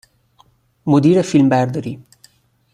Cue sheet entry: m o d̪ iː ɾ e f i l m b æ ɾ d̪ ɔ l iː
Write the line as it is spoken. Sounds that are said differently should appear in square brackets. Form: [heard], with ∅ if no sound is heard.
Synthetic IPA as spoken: m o d̪ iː ɾ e f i l m b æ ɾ d̪ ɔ [ɾ] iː